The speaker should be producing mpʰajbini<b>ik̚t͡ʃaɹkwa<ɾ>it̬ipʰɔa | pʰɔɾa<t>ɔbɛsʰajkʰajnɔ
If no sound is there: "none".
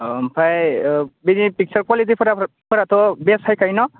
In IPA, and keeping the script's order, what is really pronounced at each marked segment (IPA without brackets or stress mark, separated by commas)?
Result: p, l, t